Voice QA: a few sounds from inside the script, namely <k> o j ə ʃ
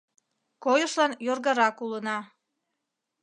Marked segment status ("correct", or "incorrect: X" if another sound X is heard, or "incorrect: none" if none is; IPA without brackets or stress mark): correct